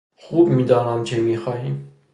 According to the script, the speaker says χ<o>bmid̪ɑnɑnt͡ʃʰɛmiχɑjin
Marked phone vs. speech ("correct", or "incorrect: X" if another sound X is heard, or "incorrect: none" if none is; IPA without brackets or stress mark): incorrect: u